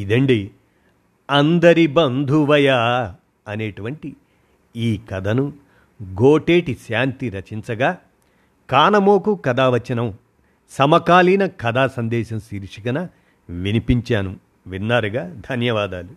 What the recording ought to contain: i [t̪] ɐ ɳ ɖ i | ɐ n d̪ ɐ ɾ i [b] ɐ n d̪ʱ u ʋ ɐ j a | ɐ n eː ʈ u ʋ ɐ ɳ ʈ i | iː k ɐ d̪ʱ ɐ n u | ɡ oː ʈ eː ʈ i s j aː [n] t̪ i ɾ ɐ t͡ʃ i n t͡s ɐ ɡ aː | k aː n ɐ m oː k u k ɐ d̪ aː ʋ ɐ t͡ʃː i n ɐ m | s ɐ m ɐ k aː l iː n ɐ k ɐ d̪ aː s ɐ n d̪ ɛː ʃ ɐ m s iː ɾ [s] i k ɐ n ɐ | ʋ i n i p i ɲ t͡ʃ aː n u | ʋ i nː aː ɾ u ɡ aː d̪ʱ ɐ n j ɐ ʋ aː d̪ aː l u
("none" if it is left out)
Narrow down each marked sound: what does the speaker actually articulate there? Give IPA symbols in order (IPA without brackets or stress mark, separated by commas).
d̪, b, n, ʂ